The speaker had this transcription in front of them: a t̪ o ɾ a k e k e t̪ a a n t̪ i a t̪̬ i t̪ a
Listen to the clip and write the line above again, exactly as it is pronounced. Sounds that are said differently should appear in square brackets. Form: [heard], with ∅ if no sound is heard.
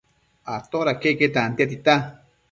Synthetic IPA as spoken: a t̪ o ɾ a k e k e t̪ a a n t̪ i a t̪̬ i t̪ a